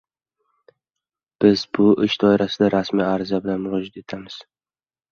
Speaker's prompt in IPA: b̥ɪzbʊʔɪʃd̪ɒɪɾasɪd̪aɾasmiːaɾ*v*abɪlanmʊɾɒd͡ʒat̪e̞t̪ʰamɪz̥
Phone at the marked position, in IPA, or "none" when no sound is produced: z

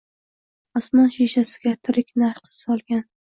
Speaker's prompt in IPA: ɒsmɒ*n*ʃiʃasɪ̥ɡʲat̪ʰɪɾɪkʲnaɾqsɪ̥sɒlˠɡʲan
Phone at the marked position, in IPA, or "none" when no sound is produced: n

